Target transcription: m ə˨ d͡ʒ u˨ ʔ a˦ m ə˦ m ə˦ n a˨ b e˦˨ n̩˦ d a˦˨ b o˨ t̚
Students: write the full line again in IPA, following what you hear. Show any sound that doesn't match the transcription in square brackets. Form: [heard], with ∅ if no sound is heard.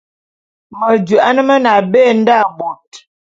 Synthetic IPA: m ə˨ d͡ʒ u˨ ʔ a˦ [n] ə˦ m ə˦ n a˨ b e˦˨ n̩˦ d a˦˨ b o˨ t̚